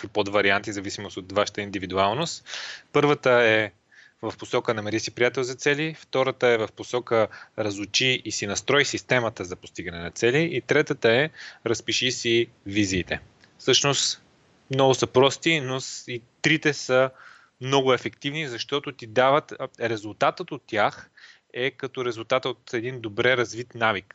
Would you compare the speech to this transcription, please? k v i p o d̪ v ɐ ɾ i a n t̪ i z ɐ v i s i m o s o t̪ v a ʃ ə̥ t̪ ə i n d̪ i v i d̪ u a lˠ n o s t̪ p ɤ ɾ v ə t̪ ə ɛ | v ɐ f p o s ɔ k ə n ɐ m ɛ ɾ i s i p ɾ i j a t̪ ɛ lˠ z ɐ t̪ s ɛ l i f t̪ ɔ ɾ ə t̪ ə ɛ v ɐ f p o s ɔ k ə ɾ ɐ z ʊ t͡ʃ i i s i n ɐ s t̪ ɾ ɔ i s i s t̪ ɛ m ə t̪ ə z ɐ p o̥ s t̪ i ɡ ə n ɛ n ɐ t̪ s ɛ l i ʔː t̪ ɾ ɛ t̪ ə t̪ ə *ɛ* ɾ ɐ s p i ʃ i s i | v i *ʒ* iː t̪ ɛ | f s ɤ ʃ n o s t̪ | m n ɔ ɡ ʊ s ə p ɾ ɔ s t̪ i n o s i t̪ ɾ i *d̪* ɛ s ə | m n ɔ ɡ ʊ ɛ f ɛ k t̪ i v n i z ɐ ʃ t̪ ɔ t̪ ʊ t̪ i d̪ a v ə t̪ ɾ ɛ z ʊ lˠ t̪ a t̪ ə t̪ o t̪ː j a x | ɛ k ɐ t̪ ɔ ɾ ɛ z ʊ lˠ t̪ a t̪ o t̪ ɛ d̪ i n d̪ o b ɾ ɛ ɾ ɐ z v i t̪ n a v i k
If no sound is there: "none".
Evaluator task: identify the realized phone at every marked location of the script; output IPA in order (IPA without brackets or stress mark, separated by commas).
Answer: ɛ, z, t̪